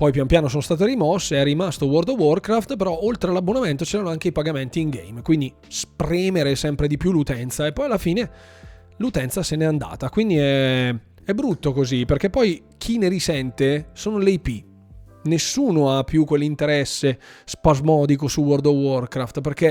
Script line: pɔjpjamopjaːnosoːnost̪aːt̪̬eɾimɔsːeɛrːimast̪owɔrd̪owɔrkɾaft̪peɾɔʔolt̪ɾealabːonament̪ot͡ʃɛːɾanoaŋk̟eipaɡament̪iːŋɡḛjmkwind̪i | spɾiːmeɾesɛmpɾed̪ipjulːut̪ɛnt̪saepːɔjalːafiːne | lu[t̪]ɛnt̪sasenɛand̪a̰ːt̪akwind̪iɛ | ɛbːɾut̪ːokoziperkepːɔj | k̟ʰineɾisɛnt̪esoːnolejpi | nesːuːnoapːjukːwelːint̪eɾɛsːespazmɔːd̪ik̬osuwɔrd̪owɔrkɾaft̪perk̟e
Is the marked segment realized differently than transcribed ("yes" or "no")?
no